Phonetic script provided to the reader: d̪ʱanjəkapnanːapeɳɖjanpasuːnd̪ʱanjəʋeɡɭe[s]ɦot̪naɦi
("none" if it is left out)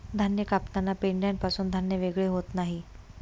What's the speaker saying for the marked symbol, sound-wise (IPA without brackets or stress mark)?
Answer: none